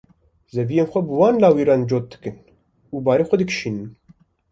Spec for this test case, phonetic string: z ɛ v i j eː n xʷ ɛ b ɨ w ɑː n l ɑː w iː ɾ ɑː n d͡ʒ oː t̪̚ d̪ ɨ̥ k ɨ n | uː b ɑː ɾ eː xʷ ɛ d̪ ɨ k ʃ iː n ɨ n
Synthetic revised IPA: z ɛ v i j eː n xʷ ɛ b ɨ w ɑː n l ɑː w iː ɾ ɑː n d͡ʒ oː t̪̚ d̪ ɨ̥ k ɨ n | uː b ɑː ɾ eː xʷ ɛ d̪ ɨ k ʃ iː n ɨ n